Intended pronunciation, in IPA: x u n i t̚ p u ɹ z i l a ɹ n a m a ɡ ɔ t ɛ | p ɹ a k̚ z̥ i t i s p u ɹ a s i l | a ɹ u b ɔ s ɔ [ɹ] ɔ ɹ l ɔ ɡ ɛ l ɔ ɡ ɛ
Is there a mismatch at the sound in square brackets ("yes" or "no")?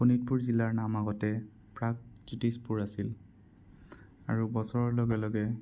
no